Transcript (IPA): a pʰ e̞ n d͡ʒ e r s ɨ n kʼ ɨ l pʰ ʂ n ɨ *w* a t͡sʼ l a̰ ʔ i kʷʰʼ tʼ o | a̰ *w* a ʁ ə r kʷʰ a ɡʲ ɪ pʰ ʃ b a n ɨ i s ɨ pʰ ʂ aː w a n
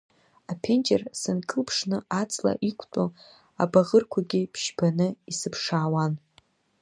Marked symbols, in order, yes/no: no, no

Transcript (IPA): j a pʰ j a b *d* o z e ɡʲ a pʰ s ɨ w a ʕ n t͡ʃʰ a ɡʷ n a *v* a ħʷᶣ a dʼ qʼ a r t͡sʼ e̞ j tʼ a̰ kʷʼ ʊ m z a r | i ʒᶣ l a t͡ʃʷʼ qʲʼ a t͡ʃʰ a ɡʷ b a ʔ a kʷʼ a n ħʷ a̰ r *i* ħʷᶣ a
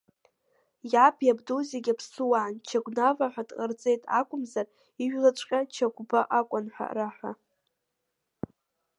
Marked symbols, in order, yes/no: yes, yes, no

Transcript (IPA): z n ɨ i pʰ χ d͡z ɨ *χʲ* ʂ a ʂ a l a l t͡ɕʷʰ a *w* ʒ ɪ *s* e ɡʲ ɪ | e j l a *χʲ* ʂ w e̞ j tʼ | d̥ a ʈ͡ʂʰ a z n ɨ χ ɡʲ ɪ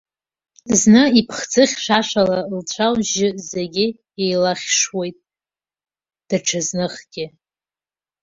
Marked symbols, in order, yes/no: yes, yes, no, yes

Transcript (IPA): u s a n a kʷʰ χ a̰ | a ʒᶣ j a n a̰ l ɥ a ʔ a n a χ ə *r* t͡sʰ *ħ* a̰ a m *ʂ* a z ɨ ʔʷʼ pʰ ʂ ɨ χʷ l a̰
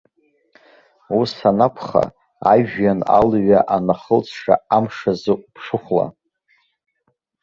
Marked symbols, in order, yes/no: no, no, yes

